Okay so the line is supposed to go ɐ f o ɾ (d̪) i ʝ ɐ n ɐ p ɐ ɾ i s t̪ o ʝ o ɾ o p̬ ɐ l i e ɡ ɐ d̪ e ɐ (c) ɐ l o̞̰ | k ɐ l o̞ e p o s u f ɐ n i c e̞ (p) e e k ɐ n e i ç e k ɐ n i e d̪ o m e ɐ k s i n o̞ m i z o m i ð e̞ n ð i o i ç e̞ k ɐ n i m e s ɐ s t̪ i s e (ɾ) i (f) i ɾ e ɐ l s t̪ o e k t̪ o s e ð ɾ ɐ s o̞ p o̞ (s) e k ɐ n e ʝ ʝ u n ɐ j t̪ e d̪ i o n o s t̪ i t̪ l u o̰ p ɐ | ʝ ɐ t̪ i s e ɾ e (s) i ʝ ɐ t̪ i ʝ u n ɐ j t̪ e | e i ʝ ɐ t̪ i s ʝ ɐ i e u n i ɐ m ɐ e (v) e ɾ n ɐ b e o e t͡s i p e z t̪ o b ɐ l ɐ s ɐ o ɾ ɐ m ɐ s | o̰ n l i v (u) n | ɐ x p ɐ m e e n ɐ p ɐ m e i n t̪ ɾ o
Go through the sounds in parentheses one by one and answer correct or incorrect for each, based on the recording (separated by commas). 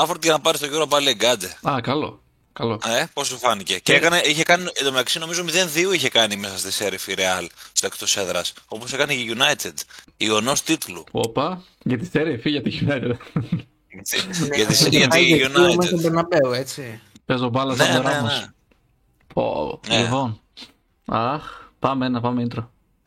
incorrect, incorrect, incorrect, correct, correct, correct, incorrect, incorrect, incorrect